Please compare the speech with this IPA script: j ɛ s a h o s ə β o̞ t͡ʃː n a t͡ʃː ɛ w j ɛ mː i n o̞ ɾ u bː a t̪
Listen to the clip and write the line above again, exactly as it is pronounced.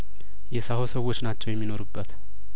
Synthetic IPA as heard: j ɛ s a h o s ə w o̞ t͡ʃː n a t͡ʃː ɛ w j ɛ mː i n o̞ ɾ u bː ə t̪